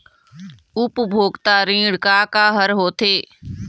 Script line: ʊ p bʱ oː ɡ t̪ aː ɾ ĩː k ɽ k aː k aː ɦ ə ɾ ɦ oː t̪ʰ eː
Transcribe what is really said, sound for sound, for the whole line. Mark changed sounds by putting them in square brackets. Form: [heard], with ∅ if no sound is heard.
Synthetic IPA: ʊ p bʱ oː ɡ t̪ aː ɾ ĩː [∅] ɽ k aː k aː ɦ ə ɾ ɦ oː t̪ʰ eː